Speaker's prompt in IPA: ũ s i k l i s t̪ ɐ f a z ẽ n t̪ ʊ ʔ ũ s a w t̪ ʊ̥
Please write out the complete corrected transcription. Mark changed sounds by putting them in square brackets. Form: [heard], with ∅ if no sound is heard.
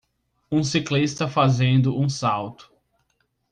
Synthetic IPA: ũ s i k l i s t̪ ɐ f a z ẽ n [d̪] ʊ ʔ ũ s a w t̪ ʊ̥

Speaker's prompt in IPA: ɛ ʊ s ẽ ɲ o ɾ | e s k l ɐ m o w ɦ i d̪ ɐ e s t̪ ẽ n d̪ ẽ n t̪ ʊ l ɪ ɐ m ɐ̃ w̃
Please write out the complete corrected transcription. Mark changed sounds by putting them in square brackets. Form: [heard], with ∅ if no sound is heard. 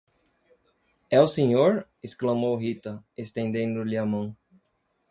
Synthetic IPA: ɛ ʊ s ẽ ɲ o ɾ | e s k l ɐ m o w ɦ i [t̪] ɐ e s t̪ ẽ n d̪ ẽ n [d̪] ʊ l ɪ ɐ m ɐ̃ w̃

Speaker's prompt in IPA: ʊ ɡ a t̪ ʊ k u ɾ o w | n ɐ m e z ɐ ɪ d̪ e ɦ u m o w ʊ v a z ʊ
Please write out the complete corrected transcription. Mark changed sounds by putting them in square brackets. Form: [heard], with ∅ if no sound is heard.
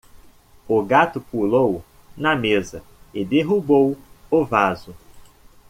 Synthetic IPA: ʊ ɡ a t̪ ʊ [p] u [l] o w | n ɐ m e z ɐ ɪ d̪ e ɦ u [b] o w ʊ v a z ʊ

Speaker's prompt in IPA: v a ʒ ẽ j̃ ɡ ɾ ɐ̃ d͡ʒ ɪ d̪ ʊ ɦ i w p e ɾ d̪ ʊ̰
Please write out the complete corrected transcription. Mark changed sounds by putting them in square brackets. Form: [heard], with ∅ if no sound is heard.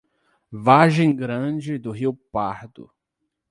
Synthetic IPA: v a ʒ ẽ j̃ ɡ ɾ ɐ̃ d͡ʒ ɪ d̪ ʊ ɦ i w p [a] ɾ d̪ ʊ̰

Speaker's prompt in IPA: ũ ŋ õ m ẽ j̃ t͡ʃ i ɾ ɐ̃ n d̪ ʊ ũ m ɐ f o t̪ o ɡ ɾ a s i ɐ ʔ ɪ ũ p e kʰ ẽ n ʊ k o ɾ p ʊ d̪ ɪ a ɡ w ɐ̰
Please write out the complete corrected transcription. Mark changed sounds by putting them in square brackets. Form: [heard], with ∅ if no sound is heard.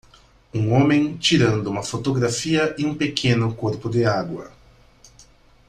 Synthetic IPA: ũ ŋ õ m ẽ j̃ t͡ʃ i ɾ ɐ̃ n d̪ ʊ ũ m ɐ f o t̪ o ɡ ɾ a [f] i ɐ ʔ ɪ ũ p e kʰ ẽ n ʊ k o ɾ p ʊ d̪ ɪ a ɡ w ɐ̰

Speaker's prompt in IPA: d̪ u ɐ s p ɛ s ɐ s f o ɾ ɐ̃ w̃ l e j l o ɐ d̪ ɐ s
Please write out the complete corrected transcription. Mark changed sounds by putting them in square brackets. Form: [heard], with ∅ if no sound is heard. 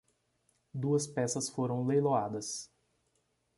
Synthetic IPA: d̪ u ɐ s p ɛ s ɐ s f o ɾ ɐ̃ w̃ l e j l o [a] d̪ ɐ s

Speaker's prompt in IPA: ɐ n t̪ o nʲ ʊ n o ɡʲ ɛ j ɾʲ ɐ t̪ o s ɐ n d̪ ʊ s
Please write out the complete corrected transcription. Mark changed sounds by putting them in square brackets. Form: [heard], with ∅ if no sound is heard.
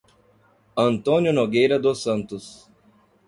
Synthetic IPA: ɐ n t̪ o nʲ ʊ n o ɡʲ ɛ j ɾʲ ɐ [d̪] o s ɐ n [t̪] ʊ s

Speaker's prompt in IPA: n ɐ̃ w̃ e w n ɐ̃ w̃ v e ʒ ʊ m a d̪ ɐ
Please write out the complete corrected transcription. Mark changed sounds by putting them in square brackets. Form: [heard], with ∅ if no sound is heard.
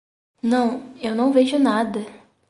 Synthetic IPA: n ɐ̃ w̃ e w n ɐ̃ w̃ v e ʒ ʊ [n] a d̪ ɐ

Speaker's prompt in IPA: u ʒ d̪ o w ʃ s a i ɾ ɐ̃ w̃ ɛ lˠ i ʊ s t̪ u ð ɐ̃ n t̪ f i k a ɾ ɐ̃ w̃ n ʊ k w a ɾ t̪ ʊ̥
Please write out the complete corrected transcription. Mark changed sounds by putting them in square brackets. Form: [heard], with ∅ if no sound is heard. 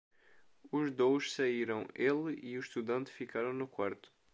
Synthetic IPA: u ʒ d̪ o w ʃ s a i ɾ ɐ̃ w̃ [e] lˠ i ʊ [ʃ] t̪ u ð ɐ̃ n t̪ f i k a ɾ ɐ̃ w̃ n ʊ k w a ɾ t̪ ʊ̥

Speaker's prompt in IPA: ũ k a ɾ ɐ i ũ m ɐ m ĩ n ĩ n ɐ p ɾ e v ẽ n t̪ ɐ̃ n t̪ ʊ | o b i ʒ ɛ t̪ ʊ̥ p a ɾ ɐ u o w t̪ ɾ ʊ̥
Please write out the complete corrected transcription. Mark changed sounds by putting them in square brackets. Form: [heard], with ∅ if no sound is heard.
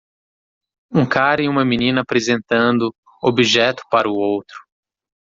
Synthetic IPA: ũ k a ɾ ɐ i ũ m ɐ m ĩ n ĩ n ɐ p ɾ e [z] ẽ n t̪ ɐ̃ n [d̪] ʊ | o b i ʒ ɛ t̪ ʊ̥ p a ɾ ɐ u o w t̪ ɾ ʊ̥

